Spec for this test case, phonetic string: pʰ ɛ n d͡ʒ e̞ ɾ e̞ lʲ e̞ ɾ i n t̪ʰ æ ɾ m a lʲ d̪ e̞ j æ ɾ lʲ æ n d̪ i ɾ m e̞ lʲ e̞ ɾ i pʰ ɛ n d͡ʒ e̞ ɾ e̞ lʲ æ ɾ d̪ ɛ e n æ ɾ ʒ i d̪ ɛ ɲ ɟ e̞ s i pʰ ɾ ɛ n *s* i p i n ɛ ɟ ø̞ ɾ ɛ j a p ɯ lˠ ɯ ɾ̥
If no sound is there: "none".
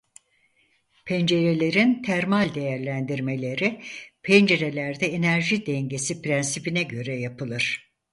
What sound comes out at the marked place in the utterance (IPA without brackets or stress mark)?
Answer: s